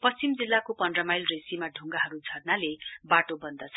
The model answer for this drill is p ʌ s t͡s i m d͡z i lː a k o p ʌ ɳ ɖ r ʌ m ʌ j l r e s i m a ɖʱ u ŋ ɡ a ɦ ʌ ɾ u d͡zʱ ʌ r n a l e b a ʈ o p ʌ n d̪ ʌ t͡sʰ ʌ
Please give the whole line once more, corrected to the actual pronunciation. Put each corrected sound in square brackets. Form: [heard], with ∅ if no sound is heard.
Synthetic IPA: p ʌ s t͡s i m d͡z i lː a k o p ʌ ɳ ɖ r ʌ m [a] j l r e s i m a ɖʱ u ŋ ɡ a ɦ ʌ ɾ u d͡zʱ ʌ r n a l e b a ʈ o [b] ʌ n d̪ ʌ t͡sʰ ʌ